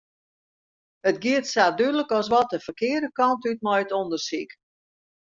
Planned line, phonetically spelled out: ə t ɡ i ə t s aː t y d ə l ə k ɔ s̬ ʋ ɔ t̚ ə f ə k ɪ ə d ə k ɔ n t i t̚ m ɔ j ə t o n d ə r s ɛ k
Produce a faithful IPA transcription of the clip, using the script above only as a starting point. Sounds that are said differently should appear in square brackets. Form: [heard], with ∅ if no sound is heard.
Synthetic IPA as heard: ə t ɡ i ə t s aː [d] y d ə l ə k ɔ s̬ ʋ ɔ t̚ ə f ə k ɪ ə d ə k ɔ n t [y] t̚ m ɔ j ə t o n d ə r s [i] k

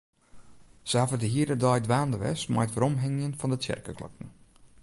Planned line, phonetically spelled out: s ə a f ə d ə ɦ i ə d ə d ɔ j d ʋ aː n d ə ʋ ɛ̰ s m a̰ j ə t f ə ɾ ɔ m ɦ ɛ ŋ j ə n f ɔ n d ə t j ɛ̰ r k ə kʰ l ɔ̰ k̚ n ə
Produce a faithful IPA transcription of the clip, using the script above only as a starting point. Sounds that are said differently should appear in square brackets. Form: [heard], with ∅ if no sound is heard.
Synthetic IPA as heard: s ə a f ə d ə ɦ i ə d ə d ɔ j d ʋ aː n d ə ʋ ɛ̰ s m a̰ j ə t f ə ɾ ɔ m ɦ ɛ ŋ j ə n f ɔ n d ə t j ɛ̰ r k ə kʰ l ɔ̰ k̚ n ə

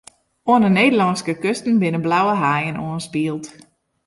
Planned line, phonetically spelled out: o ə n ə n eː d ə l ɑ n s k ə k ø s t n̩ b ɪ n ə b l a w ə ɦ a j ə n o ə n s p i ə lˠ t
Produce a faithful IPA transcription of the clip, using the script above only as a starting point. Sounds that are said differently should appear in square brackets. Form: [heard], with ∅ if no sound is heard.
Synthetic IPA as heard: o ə n ə n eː d ə l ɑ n s k ə k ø s t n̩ b ɪ n ə b l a w ə ɦ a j ə n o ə n s p i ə lˠ t

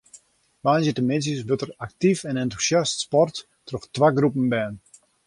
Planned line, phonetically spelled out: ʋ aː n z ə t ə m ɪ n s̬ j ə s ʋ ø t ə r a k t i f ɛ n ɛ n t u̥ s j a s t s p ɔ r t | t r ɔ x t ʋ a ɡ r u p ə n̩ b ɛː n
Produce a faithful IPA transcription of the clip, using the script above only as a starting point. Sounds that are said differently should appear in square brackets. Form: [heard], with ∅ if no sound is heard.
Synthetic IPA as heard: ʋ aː n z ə t ə m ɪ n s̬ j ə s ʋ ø t ə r a k t i f ɛ n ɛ n t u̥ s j a s t s p ɔ r t | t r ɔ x t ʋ a ɡ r u p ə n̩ b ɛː n

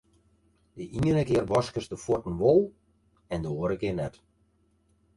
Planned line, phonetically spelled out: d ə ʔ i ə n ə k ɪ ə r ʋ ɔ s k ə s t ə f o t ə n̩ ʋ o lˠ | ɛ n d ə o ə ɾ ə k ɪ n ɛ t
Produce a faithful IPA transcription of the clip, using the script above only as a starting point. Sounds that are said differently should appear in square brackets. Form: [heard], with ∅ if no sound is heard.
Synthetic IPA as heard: d ə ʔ i ə n ə k ɪ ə r ʋ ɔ s k ə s [d] ə f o t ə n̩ ʋ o lˠ | ɛ n d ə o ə ɾ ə k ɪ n ɛ t

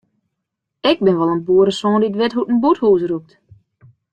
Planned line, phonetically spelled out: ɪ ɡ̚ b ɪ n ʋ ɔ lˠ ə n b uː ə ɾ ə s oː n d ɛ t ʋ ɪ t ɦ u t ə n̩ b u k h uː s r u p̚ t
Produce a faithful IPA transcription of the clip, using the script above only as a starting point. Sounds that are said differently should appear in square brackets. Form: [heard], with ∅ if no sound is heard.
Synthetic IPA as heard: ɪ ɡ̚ b ɪ n ʋ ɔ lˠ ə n b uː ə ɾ ə s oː n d [i] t ʋ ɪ t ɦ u t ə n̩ b u [t] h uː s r u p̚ t

